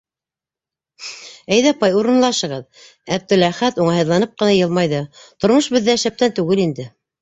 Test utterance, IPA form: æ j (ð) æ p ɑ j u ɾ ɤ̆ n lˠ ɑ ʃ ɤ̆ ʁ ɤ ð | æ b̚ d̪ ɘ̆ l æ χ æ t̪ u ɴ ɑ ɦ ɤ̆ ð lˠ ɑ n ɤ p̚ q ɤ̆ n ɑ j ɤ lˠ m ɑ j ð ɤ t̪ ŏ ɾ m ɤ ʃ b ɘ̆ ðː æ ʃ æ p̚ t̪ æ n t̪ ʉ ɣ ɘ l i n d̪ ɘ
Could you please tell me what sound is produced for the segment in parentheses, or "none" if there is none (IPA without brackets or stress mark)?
ð